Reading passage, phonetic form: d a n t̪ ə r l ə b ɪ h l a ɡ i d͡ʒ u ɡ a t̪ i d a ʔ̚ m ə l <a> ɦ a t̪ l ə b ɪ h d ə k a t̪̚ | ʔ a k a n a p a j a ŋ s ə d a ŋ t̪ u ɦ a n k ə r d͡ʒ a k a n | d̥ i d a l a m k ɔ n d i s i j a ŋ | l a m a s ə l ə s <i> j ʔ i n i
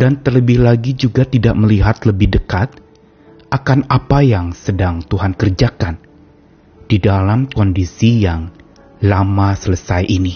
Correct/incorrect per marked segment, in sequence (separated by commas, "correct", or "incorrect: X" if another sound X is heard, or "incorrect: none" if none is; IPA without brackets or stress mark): incorrect: i, incorrect: a